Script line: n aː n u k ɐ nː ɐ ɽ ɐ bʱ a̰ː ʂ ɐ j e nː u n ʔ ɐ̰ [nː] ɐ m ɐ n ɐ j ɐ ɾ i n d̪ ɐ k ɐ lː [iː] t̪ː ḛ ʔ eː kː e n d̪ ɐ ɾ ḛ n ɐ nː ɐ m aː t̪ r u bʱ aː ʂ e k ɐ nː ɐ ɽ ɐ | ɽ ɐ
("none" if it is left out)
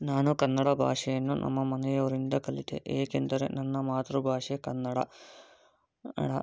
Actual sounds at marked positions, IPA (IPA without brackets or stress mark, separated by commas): mː, i